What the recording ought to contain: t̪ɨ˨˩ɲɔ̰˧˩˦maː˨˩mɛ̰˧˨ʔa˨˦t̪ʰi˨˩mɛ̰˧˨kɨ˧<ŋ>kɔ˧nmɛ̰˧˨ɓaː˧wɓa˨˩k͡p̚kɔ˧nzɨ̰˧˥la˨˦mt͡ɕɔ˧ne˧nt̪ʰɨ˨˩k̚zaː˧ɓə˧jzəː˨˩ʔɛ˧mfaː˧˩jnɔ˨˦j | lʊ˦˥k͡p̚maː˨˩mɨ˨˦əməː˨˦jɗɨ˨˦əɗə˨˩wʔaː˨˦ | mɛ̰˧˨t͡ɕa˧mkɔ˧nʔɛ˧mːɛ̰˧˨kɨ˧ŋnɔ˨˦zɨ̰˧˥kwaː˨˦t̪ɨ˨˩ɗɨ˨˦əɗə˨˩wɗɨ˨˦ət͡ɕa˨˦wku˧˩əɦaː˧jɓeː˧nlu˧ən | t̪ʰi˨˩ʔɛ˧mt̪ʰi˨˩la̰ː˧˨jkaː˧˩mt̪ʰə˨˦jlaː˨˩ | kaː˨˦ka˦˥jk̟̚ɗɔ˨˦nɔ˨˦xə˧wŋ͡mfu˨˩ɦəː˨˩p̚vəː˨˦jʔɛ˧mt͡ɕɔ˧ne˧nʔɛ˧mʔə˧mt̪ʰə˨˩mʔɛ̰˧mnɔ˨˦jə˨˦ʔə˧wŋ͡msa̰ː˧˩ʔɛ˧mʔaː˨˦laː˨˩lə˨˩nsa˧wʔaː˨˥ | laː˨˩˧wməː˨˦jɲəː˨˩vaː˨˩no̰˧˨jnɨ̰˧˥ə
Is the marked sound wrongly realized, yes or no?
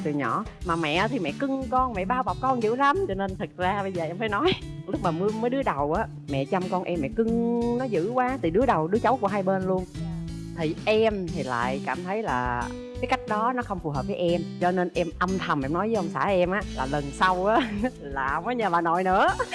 no